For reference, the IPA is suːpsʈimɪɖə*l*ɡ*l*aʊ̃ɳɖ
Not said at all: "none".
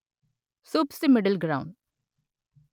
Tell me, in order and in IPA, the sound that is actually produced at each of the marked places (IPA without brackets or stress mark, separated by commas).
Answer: l, ɾ